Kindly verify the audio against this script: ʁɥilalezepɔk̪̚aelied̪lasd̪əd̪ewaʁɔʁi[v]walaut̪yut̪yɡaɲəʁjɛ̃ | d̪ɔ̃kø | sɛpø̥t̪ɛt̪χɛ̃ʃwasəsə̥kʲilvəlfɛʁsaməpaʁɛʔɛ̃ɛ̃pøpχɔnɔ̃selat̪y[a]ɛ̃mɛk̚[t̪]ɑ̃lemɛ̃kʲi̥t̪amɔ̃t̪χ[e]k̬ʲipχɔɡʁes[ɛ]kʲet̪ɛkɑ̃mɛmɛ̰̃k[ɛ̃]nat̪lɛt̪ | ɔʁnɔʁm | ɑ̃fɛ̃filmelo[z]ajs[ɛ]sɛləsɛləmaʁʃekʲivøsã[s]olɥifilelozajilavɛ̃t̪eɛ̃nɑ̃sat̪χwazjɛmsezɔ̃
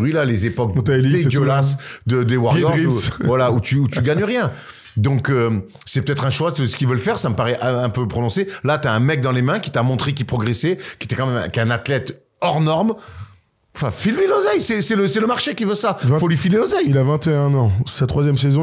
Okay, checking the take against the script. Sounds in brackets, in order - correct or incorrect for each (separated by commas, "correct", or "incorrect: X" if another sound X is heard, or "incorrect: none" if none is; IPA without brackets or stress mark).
correct, correct, incorrect: d̪, correct, correct, correct, correct, correct, incorrect: f